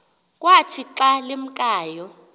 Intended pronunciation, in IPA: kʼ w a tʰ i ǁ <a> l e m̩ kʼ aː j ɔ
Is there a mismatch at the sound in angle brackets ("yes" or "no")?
no